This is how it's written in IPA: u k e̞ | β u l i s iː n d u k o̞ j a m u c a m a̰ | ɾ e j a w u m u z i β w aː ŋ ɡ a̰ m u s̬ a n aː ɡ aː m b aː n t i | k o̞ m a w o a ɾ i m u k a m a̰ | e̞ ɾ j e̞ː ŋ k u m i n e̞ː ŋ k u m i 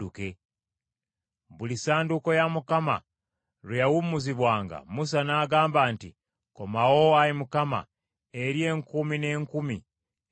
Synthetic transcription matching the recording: u k e̞ | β u l i s aː n d u k o̞ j a m u k a m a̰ | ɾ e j a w u m u z i β w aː ŋ ɡ a̰ m u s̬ a n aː ɡ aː m b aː n t i | k o̞ m a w o a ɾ i m u k a m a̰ | e̞ ɾ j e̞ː ŋ k u m i n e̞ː ŋ k u m i